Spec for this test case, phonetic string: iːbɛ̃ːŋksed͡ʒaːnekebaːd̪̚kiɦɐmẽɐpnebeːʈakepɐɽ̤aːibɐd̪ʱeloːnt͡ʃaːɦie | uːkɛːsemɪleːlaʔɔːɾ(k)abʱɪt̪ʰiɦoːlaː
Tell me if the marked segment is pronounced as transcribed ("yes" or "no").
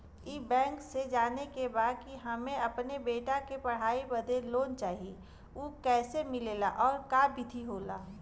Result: yes